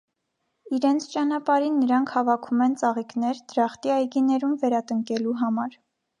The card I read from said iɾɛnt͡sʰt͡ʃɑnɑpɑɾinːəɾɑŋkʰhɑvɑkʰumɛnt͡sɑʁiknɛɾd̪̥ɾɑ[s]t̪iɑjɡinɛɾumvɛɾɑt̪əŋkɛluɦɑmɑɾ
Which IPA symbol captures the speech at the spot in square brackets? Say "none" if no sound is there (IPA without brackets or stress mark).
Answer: χ